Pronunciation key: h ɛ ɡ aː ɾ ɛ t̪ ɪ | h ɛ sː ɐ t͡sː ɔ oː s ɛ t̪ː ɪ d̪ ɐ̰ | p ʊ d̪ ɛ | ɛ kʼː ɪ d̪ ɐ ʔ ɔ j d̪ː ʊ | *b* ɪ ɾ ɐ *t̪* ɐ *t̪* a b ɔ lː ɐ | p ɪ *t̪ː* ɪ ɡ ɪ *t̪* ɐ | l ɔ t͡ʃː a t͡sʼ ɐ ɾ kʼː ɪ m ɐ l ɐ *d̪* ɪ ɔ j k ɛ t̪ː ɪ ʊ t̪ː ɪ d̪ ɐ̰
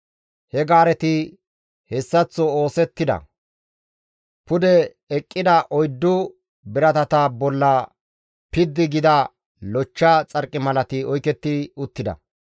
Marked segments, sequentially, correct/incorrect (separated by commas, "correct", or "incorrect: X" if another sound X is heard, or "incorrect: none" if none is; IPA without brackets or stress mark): correct, correct, correct, incorrect: d̪ː, incorrect: d̪, incorrect: t̪